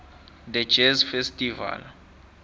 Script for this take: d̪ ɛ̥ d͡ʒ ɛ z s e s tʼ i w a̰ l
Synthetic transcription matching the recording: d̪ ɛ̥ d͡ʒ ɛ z f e s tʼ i v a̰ l